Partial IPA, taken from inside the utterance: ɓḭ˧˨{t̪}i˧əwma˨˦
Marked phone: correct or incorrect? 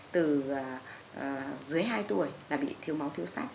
incorrect